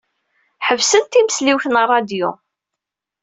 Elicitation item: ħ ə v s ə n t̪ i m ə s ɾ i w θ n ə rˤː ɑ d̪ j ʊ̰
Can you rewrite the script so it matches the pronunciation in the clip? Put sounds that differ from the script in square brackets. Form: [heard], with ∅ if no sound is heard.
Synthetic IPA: ħ ə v s ə n t̪ i m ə s [l] i w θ n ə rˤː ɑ d̪ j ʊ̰